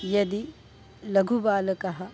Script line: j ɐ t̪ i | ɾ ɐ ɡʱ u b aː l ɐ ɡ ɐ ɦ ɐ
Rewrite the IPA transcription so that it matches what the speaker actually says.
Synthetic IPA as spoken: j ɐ d̪ i | l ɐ ɡʱ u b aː l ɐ k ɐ ɦ ɐ